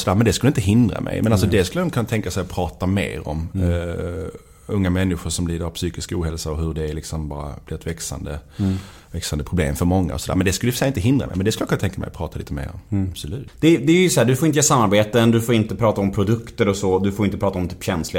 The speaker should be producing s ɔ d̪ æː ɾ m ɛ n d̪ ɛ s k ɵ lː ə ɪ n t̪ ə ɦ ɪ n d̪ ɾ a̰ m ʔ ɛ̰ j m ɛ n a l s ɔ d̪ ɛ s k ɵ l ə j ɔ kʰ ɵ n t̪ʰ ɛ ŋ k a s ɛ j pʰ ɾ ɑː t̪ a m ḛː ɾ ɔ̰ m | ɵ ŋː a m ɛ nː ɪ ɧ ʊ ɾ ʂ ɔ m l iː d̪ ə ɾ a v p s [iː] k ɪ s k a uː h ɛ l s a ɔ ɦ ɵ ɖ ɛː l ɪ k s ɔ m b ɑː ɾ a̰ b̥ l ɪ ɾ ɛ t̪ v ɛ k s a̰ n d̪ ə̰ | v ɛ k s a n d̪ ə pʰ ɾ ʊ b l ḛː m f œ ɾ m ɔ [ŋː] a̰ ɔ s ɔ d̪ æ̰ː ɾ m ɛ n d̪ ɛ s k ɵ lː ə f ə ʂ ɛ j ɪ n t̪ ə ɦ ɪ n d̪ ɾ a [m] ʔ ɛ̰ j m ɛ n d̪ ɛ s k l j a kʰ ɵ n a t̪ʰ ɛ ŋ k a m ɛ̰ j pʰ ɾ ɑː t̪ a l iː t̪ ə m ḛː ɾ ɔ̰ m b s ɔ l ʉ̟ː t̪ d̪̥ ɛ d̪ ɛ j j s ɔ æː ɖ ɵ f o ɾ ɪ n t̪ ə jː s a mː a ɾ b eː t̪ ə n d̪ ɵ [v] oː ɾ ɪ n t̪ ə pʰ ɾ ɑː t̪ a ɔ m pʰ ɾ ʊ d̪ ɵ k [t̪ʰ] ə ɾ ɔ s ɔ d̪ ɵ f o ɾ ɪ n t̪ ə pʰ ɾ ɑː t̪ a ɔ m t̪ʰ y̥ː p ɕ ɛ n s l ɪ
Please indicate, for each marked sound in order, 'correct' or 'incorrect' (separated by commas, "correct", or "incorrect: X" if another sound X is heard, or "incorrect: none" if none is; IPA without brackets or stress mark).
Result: incorrect: yː, correct, correct, incorrect: f, incorrect: t̪